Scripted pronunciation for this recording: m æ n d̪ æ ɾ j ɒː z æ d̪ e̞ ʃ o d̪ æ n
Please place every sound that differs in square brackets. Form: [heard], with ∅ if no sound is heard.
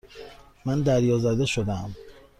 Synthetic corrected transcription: m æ n d̪ æ ɾ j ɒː z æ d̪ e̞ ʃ o d̪ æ [m]

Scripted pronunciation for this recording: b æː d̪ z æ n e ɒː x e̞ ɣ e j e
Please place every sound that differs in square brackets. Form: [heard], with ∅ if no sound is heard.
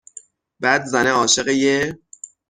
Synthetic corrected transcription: b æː d̪ z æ n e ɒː [ʃ] e̞ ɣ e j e

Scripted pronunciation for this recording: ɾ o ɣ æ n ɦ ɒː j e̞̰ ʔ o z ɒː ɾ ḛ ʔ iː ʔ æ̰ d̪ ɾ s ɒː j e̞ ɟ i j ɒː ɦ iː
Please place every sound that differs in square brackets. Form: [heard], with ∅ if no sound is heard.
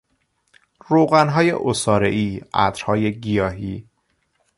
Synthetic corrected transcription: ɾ o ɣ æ n ɦ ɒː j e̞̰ ʔ o [s] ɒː ɾ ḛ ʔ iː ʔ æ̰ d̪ ɾ [h] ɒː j e̞ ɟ i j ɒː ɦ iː

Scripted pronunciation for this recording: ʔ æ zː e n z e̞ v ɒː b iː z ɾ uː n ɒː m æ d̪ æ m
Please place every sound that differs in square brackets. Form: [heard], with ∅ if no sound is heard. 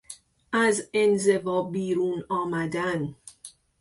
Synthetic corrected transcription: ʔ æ [z] e n z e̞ v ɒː b iː [∅] ɾ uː n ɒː m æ d̪ æ [n]

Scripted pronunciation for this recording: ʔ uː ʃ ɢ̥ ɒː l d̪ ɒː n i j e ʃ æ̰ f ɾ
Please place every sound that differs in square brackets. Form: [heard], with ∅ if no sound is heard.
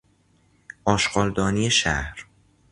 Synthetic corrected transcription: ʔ [ɒː] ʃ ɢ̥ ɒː l d̪ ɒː n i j e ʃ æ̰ [h] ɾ

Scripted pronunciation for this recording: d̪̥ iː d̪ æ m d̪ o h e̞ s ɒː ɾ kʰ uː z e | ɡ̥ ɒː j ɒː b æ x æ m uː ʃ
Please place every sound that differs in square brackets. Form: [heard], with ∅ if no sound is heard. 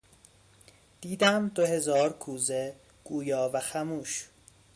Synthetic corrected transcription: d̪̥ iː d̪ æ m d̪ o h e̞ [z] ɒː ɾ kʰ uː z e | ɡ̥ [uː] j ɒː [v] æ x æ m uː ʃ

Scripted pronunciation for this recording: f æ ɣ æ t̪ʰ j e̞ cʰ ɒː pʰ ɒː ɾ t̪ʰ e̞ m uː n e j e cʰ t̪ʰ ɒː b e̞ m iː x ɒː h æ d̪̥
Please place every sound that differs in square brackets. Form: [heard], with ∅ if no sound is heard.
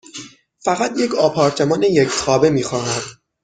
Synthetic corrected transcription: f æ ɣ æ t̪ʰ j e̞ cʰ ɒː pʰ ɒː ɾ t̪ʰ e̞ m [ɒː] n e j e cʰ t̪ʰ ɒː b e̞ m iː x ɒː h æ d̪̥

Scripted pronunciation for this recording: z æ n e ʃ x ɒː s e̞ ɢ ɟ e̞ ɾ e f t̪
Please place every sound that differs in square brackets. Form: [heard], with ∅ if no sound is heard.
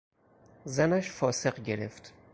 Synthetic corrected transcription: z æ n [æ] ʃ [f] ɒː s e̞ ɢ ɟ e̞ ɾ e f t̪

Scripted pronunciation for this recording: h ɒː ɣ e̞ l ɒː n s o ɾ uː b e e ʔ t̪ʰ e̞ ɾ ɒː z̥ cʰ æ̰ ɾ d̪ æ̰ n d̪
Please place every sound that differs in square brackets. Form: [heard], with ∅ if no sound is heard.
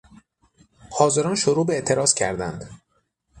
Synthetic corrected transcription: h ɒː [z] e̞ [ɾ] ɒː n [ʃ] o ɾ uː b e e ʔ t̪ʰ e̞ ɾ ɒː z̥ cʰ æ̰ ɾ d̪ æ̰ n d̪

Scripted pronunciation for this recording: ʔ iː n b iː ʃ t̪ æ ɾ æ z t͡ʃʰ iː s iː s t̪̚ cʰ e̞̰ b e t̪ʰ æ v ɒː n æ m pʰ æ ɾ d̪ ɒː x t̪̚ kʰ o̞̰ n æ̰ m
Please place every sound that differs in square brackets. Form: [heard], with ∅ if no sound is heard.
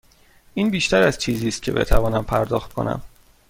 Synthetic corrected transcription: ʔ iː n b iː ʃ t̪ æ ɾ æ z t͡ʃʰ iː [z] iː s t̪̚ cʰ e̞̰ b e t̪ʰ æ v ɒː n æ m pʰ æ ɾ d̪ ɒː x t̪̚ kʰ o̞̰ n æ̰ m

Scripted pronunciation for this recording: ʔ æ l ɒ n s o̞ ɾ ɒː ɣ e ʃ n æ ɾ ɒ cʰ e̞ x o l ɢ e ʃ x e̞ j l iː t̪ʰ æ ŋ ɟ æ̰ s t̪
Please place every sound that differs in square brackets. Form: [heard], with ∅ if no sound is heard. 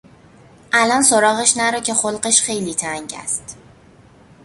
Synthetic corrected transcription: ʔ æ l ɒ n s o̞ ɾ ɒː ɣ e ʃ n æ ɾ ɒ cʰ e̞ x o l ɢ e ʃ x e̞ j l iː t̪ʰ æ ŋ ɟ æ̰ s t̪

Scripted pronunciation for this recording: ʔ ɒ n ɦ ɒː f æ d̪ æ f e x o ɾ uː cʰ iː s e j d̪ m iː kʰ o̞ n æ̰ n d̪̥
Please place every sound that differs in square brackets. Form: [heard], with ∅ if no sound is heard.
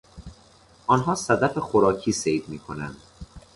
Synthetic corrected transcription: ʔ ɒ n ɦ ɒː [s] æ d̪ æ f e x o ɾ [ɒː] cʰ iː s e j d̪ m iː kʰ o̞ n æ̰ n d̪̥

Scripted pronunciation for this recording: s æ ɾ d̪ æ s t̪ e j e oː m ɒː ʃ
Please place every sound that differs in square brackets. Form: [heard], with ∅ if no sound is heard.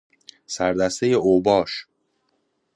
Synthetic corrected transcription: s æ ɾ d̪ æ s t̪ e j e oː [b] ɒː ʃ

